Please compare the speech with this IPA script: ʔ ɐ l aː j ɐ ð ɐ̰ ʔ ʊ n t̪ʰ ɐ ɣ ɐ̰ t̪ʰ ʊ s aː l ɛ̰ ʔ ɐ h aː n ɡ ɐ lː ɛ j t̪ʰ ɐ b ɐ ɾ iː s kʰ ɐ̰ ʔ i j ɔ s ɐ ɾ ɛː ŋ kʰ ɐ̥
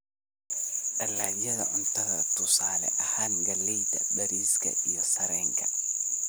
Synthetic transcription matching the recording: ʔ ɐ l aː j ɐ ð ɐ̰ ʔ ʊ n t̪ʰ ɐ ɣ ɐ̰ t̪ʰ ʊ s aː l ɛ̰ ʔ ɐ h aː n ɡ ɐ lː ɛ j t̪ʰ ɐ b ɐ ɾ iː s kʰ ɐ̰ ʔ i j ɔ s ɐ ɾ ɛː ŋ kʰ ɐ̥